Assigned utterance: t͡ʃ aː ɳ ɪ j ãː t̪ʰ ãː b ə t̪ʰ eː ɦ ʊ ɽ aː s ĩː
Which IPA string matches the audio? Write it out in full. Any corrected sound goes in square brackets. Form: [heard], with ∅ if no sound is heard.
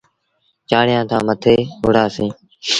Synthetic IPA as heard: t͡ʃ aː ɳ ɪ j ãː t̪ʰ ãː [m] ə t̪ʰ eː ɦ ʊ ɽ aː s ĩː